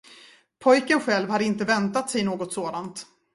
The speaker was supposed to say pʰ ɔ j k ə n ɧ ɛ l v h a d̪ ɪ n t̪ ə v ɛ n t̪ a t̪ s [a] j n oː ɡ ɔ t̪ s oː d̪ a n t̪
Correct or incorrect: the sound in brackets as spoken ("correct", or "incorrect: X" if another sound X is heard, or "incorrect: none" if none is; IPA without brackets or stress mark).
incorrect: ɛ